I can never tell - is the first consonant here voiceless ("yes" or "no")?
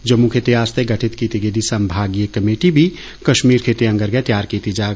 no